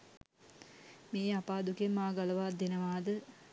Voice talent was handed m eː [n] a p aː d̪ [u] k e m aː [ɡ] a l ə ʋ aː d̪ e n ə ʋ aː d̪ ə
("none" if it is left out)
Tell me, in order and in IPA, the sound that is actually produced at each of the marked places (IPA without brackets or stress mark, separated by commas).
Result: none, u, ɡ